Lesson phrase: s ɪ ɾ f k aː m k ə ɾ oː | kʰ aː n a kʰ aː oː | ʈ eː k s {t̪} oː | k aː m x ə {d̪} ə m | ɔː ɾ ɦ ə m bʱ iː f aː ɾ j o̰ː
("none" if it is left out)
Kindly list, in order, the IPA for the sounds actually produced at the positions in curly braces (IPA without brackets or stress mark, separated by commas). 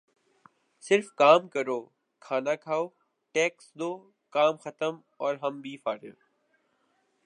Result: d̪, t̪